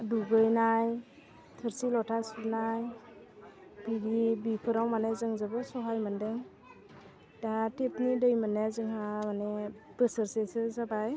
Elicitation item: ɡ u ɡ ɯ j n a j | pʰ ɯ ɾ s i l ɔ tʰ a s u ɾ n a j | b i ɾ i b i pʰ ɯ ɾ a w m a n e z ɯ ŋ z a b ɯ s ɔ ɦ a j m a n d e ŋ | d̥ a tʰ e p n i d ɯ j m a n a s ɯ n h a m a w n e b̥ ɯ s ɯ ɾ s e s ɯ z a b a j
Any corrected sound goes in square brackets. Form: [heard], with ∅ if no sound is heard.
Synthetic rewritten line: [d] u ɡ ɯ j n a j | [tʰ] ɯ ɾ s i l ɔ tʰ a s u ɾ n a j | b i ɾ i b i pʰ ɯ ɾ a w m a n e z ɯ ŋ z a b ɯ s ɔ ɦ a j m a n d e ŋ | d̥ a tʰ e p n i d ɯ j m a n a [z] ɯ [ŋ] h a m a [∅] n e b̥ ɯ s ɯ ɾ s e s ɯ z a b a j